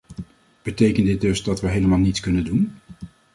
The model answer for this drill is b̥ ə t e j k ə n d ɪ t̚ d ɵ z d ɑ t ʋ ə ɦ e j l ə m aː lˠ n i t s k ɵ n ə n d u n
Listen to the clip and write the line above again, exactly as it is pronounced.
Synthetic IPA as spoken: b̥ ə t e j k ə n d ɪ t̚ d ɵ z d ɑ t ʋ ə ɦ e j l ə m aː lˠ n i t s k ɵ n ə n d u n